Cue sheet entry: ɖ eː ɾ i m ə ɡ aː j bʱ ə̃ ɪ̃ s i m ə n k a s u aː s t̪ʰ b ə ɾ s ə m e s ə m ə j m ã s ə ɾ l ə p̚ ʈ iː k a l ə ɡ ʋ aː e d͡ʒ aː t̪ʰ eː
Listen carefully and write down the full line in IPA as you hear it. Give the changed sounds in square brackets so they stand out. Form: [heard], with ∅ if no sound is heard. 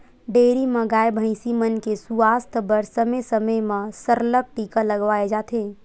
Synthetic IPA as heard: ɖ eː ɾ i m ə ɡ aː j bʱ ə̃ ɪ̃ s i m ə n k [e] s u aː s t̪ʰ b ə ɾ s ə m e s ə m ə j m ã s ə ɾ l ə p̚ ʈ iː k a l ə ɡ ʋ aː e d͡ʒ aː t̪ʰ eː